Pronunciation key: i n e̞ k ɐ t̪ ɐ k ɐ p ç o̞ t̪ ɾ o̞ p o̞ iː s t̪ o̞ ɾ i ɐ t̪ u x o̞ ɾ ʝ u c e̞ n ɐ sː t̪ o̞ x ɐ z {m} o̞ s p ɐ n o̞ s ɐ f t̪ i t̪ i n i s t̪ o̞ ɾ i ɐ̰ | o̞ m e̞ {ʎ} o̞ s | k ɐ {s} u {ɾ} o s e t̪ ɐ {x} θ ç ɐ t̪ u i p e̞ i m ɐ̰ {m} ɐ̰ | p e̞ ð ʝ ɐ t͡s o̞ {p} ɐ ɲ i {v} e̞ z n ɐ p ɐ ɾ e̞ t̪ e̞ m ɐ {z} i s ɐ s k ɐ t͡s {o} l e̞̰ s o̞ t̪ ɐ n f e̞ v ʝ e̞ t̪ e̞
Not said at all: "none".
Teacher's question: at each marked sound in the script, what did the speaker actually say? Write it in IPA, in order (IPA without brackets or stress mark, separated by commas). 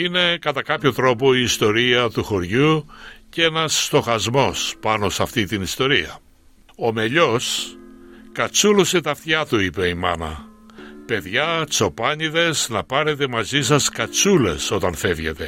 m, ʎ, t͡s, l, f, n, p, ð, z, u